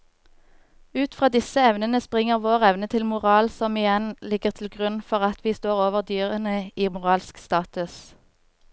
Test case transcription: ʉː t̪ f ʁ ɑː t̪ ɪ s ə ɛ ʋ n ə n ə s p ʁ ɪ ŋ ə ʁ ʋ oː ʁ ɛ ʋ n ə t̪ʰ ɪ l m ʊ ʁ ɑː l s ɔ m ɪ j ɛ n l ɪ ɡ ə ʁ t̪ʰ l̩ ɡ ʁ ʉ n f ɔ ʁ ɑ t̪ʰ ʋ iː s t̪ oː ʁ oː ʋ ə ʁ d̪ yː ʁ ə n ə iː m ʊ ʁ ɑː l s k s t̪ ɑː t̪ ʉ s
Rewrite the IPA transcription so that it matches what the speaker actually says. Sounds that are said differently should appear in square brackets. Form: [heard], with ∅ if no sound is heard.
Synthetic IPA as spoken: ʉː t̪ f ʁ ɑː [d̪] ɪ s ə ɛ ʋ n ə n ə s p ʁ ɪ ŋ ə ʁ ʋ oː ʁ ɛ ʋ n ə t̪ʰ ɪ l m ʊ ʁ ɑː l s ɔ m ɪ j ɛ n l ɪ ɡ ə ʁ t̪ʰ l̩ ɡ ʁ ʉ n f ɔ ʁ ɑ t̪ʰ ʋ iː s t̪ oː ʁ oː ʋ ə ʁ d̪ yː ʁ ə n ə iː m ʊ ʁ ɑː l s k s t̪ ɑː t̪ ʉ s